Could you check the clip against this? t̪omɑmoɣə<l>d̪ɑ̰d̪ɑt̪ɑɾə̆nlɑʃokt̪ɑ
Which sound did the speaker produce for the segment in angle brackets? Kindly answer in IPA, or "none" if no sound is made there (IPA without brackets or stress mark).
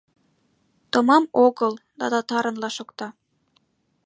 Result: l